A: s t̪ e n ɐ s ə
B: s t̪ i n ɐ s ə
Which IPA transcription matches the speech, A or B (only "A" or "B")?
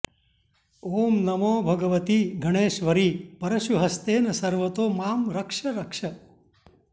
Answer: A